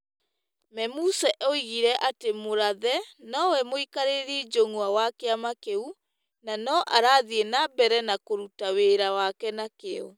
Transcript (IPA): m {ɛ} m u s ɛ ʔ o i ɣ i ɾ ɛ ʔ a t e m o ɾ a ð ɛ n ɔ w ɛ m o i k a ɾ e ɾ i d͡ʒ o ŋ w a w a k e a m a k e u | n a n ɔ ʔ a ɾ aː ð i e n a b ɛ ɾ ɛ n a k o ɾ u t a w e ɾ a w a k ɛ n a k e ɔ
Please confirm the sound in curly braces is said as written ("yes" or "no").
yes